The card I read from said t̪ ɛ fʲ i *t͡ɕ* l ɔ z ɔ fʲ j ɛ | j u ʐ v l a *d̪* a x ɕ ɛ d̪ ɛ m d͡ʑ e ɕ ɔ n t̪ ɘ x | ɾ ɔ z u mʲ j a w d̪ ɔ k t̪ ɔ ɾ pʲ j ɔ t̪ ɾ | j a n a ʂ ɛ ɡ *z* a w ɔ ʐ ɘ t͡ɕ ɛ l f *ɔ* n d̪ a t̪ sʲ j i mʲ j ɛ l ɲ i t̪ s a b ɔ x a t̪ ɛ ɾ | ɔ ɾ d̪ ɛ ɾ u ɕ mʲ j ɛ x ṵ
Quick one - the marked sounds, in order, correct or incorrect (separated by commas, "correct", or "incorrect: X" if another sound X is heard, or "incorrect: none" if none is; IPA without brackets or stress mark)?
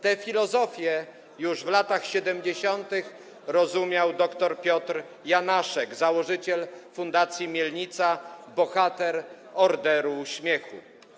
incorrect: none, incorrect: t̪, correct, incorrect: u